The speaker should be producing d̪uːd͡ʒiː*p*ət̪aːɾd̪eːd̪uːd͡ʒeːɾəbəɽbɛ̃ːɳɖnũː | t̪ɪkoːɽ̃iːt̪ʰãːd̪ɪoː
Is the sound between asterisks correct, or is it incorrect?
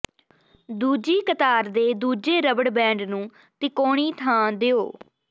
incorrect: k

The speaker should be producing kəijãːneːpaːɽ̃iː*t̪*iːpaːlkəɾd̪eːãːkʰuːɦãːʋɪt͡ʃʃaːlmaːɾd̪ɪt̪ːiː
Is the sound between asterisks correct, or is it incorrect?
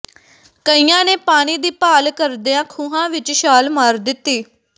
incorrect: d̪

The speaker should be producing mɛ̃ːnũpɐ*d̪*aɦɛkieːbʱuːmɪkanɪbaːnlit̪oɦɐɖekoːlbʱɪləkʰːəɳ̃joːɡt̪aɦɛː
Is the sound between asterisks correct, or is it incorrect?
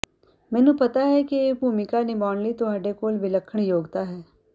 incorrect: t̪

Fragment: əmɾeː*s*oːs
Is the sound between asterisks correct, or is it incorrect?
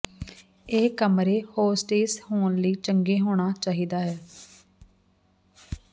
incorrect: h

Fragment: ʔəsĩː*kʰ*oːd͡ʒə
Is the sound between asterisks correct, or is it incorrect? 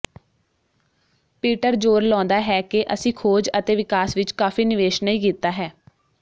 correct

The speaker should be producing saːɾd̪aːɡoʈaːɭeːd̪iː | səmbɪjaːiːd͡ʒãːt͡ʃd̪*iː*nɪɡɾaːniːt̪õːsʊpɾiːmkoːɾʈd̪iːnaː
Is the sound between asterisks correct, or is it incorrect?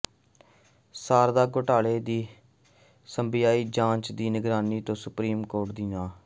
correct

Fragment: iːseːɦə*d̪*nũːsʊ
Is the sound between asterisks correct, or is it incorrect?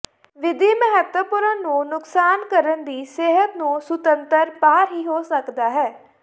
incorrect: t̪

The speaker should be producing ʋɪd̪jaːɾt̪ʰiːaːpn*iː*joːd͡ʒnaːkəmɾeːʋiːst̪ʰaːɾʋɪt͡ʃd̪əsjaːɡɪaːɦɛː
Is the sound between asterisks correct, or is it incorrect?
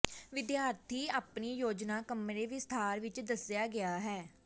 correct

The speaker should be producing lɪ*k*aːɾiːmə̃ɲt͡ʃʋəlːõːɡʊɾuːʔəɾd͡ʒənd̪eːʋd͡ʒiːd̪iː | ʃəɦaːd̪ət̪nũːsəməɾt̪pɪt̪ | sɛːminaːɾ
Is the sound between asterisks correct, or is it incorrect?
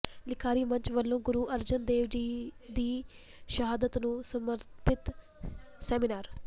incorrect: kʰ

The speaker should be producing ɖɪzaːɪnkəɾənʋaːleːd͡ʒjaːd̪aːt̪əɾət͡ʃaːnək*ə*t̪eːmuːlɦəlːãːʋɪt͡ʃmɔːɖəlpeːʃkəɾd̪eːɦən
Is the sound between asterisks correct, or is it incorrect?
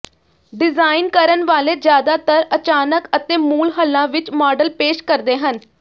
correct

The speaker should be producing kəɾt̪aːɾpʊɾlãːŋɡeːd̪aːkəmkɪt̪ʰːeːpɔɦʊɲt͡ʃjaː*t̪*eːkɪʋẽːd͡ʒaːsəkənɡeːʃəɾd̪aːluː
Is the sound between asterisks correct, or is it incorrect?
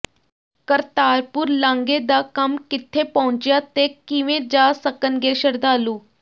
correct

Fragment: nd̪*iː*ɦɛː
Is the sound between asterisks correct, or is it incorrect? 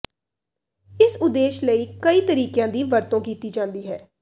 correct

